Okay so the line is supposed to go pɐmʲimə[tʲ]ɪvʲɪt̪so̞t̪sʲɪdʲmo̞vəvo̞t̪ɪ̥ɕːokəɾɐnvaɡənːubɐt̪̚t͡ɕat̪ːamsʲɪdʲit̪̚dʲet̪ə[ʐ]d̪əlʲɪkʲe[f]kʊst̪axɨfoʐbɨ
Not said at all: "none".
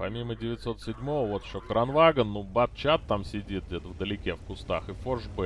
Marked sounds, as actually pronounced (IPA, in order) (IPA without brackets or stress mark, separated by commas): dʲ, v, f